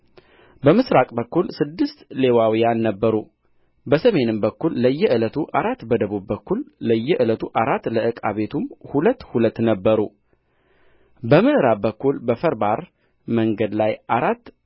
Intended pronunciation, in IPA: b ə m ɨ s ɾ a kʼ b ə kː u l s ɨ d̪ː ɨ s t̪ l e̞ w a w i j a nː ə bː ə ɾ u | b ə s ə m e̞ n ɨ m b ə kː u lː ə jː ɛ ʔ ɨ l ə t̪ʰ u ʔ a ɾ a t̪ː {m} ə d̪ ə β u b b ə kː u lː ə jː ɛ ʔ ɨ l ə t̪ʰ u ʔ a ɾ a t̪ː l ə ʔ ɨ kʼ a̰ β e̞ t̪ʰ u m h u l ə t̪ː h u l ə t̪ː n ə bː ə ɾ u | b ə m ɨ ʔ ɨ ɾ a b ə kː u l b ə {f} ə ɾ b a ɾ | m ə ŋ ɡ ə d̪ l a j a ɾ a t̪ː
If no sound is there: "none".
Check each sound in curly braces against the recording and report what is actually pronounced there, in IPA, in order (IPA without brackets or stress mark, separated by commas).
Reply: b, f